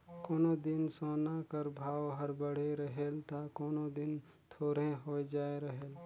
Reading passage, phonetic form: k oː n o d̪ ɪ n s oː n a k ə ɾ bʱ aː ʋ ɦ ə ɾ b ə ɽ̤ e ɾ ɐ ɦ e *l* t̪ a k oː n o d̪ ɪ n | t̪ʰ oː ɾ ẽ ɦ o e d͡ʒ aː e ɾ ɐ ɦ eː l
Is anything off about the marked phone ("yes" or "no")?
no